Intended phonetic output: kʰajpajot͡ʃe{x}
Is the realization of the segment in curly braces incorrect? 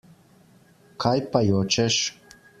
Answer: yes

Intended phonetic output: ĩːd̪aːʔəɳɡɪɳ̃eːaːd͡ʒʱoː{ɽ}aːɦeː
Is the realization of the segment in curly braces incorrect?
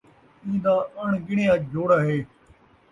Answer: no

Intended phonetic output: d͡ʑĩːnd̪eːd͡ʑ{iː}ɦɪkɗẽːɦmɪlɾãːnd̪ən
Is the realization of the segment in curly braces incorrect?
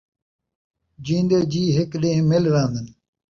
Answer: no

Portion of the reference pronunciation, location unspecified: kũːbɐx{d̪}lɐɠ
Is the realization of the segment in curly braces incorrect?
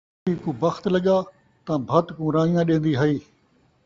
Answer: yes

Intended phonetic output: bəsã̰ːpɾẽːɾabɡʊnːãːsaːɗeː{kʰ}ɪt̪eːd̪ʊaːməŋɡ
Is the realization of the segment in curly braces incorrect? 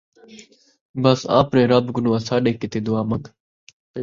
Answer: yes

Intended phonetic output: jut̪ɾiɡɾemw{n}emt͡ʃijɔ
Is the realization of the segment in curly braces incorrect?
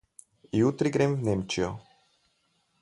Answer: no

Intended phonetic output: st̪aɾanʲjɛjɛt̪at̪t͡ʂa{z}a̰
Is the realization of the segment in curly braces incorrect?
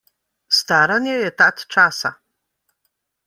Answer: yes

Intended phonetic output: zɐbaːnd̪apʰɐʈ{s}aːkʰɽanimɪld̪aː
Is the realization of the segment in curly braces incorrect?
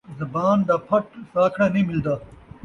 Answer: no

